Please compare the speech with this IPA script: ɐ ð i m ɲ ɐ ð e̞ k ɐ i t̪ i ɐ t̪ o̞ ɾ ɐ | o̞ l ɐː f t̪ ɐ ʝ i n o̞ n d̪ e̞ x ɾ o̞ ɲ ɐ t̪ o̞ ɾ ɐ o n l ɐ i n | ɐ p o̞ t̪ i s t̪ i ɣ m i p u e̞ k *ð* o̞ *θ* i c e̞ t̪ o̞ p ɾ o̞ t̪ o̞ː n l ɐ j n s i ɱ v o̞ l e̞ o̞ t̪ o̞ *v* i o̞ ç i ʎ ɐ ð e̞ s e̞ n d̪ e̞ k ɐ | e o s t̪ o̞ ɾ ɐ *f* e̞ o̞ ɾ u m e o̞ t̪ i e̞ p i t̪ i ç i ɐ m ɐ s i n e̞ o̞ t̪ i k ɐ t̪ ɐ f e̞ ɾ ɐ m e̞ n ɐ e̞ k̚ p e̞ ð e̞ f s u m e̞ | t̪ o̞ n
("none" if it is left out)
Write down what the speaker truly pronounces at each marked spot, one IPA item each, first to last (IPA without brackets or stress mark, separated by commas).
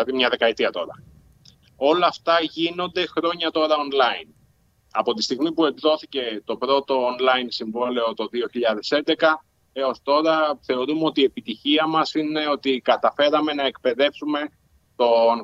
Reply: ð, θ, ð, θ